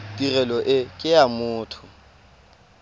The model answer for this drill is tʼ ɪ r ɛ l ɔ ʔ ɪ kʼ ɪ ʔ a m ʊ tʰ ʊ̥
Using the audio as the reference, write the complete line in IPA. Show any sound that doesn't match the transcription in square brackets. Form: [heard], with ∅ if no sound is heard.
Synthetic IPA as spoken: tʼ [i] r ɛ l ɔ ʔ ɪ kʼ ɪ [∅] a m [ʊː] tʰ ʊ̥